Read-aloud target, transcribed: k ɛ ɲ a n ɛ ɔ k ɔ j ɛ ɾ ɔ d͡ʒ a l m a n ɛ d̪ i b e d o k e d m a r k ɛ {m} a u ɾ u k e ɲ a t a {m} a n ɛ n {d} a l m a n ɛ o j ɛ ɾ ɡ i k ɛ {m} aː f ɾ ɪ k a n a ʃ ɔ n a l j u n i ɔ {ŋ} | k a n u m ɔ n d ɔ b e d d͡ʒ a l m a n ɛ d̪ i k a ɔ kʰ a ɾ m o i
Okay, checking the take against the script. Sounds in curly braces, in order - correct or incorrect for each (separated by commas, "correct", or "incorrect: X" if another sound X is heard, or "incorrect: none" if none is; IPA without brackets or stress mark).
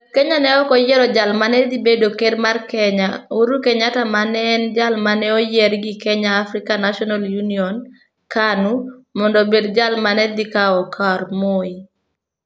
incorrect: ɲ, correct, incorrect: d͡ʒ, incorrect: ɲ, incorrect: n